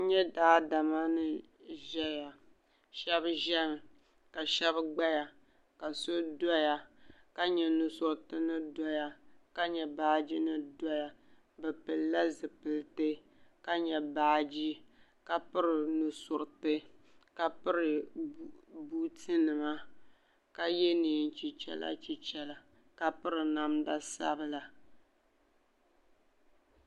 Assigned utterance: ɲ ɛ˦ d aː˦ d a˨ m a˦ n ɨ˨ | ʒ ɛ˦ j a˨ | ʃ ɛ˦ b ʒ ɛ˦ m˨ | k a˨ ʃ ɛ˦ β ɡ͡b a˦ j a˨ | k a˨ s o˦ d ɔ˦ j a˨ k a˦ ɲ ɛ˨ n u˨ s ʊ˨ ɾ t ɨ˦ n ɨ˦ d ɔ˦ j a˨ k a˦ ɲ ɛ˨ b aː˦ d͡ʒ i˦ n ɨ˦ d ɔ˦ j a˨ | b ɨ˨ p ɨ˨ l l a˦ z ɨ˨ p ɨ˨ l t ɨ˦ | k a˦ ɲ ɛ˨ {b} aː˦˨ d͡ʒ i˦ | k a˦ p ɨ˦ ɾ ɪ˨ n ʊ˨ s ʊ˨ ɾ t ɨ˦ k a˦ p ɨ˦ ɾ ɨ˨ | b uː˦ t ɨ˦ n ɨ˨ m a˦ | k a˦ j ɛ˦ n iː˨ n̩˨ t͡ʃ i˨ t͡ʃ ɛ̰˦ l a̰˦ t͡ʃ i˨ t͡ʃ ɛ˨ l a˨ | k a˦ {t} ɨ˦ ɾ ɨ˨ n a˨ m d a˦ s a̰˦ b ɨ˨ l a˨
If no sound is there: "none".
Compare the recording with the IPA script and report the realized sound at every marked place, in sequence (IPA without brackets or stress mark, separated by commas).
b, p